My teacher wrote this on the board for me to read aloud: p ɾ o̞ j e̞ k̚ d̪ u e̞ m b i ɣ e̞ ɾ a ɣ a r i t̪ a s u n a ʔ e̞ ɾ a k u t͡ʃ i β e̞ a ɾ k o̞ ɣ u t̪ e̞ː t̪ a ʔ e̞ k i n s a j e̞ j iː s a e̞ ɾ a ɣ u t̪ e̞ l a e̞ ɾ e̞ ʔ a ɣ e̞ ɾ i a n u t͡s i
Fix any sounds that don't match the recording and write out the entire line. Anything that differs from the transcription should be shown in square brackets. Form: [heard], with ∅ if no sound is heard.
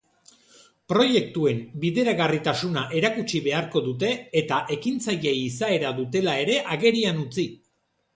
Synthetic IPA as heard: p ɾ o̞ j e̞ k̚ [t̪] u e̞ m b i [ð] e̞ ɾ a ɣ a r i t̪ a s u n a ʔ e̞ ɾ a k u t͡ʃ i β e̞ a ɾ k o̞ [ð] u t̪ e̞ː t̪ a ʔ e̞ k i n [t͡s] a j e̞ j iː s a e̞ ɾ a [ð] u t̪ e̞ l a e̞ ɾ e̞ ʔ a ɣ e̞ ɾ i a n u t͡s i

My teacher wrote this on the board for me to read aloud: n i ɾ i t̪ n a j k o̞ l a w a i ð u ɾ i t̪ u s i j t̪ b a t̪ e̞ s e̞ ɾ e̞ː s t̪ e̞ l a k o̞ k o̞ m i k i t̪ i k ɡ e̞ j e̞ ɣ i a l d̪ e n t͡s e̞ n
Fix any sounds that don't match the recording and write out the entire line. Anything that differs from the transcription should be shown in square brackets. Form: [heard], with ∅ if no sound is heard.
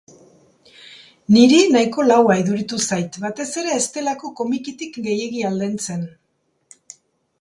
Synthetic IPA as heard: n i ɾ i [∅] n a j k o̞ l a w a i ð u ɾ i t̪ u s [a] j t̪ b a t̪ e̞ s e̞ ɾ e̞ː s t̪ e̞ l a k o̞ k o̞ m i k i t̪ i k ɡ e̞ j e̞ ɣ i a l d̪ e n t͡s e̞ n

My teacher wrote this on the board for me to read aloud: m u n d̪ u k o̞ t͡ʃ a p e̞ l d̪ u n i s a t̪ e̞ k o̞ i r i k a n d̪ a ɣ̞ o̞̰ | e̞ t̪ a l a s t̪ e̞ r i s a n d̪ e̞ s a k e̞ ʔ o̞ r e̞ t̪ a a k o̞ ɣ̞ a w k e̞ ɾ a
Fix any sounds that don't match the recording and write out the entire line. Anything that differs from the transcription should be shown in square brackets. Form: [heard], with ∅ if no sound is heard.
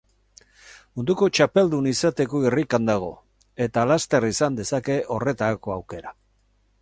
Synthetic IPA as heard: m u n d̪ u k o̞ t͡ʃ a p e̞ l d̪ u n i s a t̪ e̞ k o̞ i r i k a n d̪ a ɣ̞ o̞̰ | e̞ t̪ a l a s t̪ e̞ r i s a n d̪ e̞ s a k e̞ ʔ o̞ r e̞ t̪ a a k o̞ [∅] a w k e̞ ɾ a

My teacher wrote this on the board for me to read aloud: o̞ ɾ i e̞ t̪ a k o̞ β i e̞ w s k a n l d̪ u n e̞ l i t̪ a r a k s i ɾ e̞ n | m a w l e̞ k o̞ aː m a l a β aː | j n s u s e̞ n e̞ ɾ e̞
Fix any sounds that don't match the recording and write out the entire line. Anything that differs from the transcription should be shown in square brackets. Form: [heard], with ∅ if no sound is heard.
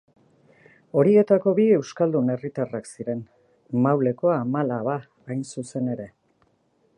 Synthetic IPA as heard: o̞ ɾ i e̞ t̪ a k o̞ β i e̞ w s k a [∅] l d̪ u n e̞ [r] i t̪ a r a k s i ɾ e̞ n | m a w l e̞ k o̞ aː m a l a β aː | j n s u s e̞ n e̞ ɾ e̞

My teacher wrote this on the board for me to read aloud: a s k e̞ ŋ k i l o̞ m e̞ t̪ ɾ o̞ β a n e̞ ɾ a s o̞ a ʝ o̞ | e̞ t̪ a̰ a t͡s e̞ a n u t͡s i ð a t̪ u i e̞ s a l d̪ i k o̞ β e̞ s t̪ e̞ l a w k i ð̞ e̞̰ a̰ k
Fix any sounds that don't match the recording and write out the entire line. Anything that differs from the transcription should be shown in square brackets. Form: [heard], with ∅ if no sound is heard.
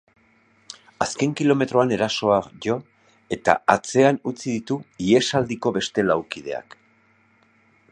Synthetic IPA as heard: a s k e̞ ŋ k i l o̞ m e̞ t̪ ɾ o̞ [∅] a n e̞ ɾ a s o̞ a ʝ o̞ | e̞ t̪ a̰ a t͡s e̞ a n u t͡s i ð [i] t̪ u i e̞ s a l d̪ i k o̞ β e̞ s t̪ e̞ l a w k i ð̞ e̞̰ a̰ k

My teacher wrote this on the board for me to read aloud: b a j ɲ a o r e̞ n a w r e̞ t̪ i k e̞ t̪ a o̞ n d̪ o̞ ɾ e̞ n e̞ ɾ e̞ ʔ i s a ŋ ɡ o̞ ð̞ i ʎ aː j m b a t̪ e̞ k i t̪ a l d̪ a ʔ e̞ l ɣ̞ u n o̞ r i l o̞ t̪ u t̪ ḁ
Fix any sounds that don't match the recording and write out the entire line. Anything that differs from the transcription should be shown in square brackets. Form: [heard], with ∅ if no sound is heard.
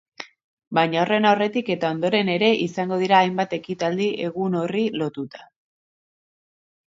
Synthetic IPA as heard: b a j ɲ a o r e̞ n a w r e̞ t̪ i k e̞ t̪ a o̞ n d̪ o̞ ɾ e̞ n e̞ ɾ e̞ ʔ i s a ŋ ɡ o̞ ð̞ i [ɾ] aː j m b a t̪ e̞ k i t̪ a l d̪ [i] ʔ e̞ [∅] ɣ̞ u n o̞ r i l o̞ t̪ u t̪ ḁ

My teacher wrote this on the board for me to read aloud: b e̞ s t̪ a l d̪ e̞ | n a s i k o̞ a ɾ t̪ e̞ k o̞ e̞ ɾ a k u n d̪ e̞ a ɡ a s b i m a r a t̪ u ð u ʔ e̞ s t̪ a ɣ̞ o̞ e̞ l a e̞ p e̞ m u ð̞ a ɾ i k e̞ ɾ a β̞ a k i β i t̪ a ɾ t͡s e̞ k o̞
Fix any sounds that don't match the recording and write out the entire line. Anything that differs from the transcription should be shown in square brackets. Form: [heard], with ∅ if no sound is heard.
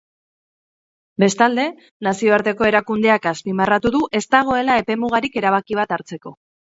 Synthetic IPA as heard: b e̞ s t̪ a l d̪ e̞ | n a s i [∅] o̞ a ɾ t̪ e̞ k o̞ e̞ ɾ a k u n d̪ e̞ a [k] a s [p] i m a r a t̪ u ð u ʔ e̞ s t̪ a ɣ̞ o̞ e̞ l a e̞ p e̞ m u [ɣ̞] a ɾ i k e̞ ɾ a β̞ a k i β [a] t̪ a ɾ t͡s e̞ k o̞

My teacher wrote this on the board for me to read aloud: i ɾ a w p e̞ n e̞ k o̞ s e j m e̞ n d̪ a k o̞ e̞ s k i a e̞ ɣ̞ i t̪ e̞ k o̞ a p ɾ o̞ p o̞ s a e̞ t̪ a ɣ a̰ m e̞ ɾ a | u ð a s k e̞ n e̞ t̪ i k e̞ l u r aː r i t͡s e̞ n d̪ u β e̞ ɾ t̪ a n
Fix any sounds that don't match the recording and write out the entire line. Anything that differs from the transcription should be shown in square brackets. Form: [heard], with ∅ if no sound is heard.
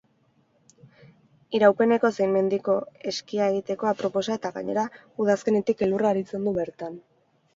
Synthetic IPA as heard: i ɾ a w p e̞ n e̞ k o̞ s e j m e̞ n d̪ [i] k o̞ e̞ s k i a e̞ ɣ̞ i t̪ e̞ k o̞ a p ɾ o̞ p o̞ s a e̞ t̪ a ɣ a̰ [ɲ] e̞ ɾ a | u ð a s k e̞ n e̞ t̪ i k e̞ l u r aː [ɾ] i t͡s e̞ n d̪ u β e̞ ɾ t̪ a n

